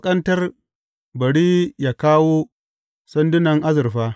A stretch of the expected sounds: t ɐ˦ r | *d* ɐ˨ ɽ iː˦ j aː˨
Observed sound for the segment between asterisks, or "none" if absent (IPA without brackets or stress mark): b